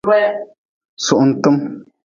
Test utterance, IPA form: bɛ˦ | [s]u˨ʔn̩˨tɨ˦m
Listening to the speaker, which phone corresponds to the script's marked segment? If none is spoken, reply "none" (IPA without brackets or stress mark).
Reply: s